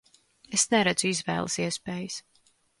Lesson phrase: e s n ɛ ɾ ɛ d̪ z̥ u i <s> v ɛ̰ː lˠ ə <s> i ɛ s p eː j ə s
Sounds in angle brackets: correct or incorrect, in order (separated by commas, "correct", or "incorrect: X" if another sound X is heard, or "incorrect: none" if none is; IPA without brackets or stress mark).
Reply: incorrect: z, correct